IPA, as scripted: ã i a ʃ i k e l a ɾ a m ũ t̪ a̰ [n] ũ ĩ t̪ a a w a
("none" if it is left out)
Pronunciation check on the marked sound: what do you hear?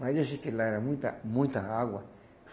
m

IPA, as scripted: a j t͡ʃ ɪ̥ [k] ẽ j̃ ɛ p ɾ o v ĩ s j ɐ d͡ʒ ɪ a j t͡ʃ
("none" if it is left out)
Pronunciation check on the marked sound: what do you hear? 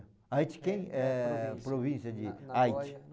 k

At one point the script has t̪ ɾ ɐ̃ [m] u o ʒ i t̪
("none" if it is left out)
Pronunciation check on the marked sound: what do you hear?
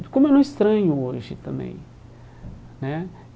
ɲ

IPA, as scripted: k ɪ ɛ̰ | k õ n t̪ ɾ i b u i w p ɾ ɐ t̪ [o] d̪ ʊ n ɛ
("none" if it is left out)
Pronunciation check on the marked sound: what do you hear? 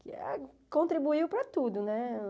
u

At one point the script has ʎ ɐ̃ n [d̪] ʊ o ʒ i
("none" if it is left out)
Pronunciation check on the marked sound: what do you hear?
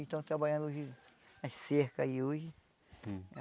d̪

